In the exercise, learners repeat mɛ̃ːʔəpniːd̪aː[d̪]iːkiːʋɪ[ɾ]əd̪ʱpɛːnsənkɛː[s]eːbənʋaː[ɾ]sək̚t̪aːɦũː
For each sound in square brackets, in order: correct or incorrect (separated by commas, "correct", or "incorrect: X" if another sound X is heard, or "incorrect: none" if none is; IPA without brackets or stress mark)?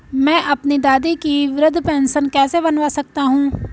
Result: correct, correct, correct, incorrect: none